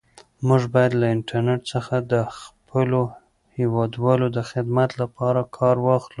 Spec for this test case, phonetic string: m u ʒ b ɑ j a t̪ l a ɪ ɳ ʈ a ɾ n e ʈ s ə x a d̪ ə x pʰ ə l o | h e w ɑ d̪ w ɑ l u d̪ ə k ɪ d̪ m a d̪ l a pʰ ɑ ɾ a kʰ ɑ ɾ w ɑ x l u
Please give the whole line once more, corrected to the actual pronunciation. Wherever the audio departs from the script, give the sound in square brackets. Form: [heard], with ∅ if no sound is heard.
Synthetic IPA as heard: m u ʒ b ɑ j a [d̪] l a ɪ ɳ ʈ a ɾ n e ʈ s ə x a d̪ ə x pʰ ə l o | h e w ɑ d̪ w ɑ l [o] d̪ ə [x] ɪ d̪ m a [t̪] l a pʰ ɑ ɾ a kʰ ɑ ɾ w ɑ x l u